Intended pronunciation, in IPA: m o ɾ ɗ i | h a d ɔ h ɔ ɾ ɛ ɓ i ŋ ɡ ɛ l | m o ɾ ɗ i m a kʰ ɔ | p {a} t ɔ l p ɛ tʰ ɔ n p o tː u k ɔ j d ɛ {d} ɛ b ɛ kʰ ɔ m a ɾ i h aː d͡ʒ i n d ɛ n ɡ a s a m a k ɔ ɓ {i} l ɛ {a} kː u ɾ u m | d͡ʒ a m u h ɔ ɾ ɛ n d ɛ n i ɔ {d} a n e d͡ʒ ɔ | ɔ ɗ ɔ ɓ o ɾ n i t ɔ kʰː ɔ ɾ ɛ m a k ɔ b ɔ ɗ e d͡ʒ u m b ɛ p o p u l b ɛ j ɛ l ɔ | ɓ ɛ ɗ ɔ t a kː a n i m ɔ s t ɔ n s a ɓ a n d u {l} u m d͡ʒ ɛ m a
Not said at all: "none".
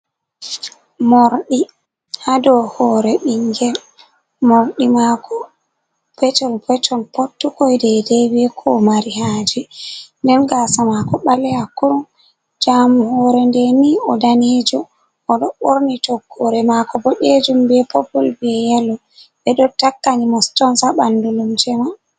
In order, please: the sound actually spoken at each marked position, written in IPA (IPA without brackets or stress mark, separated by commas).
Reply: ɛ, d, a, a, d, l